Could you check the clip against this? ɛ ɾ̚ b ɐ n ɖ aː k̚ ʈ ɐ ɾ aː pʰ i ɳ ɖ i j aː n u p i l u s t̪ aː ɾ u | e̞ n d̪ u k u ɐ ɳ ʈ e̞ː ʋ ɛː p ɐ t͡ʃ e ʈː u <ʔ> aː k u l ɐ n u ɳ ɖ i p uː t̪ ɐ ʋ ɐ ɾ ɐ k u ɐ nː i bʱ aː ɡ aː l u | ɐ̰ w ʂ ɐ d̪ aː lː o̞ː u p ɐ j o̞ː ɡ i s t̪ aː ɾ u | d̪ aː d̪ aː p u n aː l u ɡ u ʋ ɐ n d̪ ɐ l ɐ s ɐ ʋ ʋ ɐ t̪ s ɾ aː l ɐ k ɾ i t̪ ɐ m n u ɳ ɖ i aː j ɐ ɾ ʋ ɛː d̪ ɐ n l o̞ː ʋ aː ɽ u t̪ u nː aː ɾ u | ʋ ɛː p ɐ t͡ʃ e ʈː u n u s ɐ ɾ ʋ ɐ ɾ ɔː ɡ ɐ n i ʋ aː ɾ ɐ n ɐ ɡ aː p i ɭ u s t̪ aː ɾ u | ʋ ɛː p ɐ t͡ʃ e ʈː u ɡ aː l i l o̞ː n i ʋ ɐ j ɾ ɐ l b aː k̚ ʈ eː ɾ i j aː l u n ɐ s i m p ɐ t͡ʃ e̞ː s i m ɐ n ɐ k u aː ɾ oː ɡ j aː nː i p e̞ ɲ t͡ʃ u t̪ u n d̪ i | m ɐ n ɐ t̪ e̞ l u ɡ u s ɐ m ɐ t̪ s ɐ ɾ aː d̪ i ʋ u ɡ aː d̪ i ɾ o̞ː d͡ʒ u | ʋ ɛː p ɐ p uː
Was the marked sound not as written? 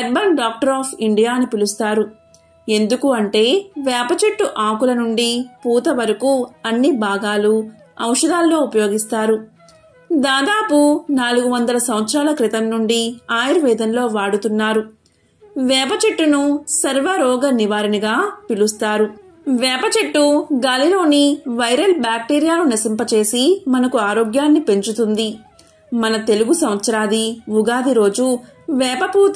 no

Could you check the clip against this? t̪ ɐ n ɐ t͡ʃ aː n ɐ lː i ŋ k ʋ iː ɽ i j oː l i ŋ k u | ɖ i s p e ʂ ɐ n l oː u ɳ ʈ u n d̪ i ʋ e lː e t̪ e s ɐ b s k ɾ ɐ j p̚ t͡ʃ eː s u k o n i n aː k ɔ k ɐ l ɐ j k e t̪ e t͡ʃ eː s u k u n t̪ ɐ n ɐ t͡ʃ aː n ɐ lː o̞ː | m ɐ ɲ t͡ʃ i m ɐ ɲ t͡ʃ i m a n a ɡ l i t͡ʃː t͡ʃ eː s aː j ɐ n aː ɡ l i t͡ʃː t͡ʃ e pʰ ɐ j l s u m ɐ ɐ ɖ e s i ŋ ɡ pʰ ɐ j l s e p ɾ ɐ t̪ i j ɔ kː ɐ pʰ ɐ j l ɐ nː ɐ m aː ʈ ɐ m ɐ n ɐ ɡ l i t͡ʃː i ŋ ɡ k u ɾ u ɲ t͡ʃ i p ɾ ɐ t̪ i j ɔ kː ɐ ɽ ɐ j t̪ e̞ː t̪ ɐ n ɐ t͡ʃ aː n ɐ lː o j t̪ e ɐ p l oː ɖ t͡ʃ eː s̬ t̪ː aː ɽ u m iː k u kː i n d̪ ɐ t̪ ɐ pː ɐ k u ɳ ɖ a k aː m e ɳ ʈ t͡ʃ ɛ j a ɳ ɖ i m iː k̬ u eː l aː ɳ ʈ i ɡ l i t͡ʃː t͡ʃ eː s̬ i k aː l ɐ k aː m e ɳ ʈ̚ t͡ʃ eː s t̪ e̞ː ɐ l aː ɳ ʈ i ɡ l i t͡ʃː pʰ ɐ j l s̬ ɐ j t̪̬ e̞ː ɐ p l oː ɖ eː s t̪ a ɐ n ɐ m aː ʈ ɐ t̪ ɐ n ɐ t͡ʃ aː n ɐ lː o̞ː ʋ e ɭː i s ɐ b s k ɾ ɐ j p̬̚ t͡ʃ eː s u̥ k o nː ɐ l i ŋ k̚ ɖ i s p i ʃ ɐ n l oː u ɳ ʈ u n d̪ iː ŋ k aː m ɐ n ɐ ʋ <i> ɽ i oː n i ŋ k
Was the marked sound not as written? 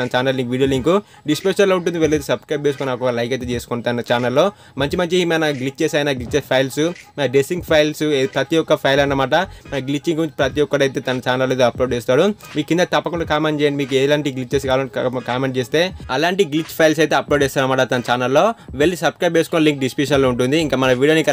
yes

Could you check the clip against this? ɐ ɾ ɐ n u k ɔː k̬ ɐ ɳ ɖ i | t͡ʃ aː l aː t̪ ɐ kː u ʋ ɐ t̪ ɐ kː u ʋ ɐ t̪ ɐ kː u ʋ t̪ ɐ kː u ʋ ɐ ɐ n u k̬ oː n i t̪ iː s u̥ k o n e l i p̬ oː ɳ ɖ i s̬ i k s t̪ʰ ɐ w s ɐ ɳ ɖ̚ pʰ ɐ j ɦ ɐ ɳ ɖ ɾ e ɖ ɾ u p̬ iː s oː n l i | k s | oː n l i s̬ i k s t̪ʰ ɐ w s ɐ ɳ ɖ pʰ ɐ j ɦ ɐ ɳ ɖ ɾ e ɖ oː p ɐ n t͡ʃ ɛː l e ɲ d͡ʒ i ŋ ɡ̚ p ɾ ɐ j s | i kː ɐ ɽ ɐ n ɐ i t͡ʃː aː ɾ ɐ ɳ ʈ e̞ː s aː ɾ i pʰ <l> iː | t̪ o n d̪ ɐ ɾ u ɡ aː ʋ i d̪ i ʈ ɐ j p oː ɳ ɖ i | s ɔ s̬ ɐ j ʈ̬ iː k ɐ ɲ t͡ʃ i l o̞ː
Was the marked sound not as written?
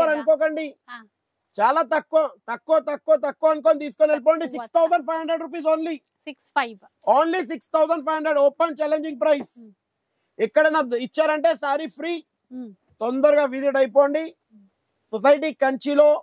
yes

